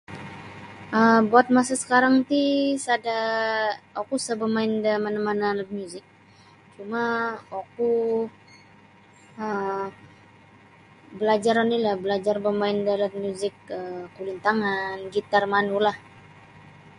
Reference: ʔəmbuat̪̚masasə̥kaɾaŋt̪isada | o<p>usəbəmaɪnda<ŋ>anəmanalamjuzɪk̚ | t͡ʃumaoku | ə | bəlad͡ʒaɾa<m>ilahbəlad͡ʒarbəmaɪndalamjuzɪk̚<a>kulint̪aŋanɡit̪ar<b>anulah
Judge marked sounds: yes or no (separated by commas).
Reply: no, no, no, no, no